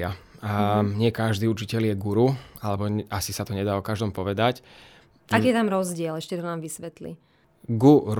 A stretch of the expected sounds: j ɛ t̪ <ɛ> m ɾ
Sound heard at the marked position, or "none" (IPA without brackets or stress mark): a